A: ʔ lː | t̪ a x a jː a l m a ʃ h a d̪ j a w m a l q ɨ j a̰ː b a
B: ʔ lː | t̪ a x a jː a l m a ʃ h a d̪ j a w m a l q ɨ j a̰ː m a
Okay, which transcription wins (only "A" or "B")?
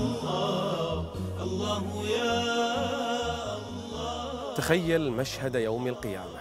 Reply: B